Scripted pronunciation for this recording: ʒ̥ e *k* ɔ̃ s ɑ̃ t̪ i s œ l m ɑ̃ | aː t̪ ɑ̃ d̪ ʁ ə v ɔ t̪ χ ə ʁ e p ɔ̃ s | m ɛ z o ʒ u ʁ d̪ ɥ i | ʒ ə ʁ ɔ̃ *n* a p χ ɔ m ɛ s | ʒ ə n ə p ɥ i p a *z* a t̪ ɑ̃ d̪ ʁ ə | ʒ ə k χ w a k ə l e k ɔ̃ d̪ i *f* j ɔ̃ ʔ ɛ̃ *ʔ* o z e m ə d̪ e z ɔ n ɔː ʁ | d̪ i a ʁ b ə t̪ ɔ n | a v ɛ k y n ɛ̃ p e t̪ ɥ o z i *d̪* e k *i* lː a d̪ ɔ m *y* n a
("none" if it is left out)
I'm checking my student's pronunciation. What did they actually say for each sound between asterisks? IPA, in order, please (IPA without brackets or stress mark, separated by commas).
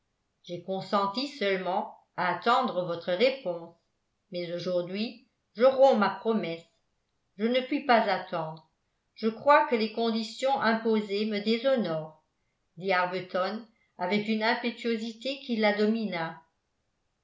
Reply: k, m, z, s, p, t̪, i, i